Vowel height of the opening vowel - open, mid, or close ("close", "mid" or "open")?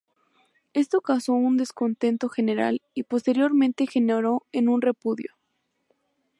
mid